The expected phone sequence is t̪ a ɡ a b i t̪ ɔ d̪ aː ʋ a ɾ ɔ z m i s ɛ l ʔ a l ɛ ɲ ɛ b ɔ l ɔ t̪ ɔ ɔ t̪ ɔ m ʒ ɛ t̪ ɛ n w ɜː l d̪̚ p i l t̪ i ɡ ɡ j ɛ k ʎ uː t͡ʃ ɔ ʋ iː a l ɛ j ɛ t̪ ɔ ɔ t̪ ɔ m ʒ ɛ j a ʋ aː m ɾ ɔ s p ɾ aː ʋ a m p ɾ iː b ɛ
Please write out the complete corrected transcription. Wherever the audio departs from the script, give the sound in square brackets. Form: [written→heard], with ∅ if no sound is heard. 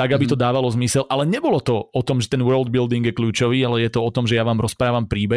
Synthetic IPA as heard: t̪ a ɡ a b i t̪ ɔ d̪ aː ʋ a [ɾ→l] ɔ z m i s ɛ l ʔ a l ɛ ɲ ɛ b ɔ l ɔ t̪ ɔ ɔ t̪ ɔ m ʒ ɛ t̪ ɛ n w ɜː l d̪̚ [p→b] i l [t̪→d̪] i [ɡ→ŋ] ɡ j ɛ k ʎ uː t͡ʃ ɔ ʋ iː a l ɛ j ɛ t̪ ɔ ɔ t̪ ɔ m ʒ ɛ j a ʋ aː m ɾ ɔ s p ɾ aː ʋ a m p ɾ iː b ɛ